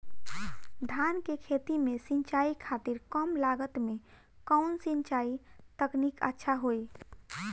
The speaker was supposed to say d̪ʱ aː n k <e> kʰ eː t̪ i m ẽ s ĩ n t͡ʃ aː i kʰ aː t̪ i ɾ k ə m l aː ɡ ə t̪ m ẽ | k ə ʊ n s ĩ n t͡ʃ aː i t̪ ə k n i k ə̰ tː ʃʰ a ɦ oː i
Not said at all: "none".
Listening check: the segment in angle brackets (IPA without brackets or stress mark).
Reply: e